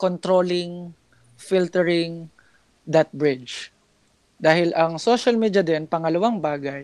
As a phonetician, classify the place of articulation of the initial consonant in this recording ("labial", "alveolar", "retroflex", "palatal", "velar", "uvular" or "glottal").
velar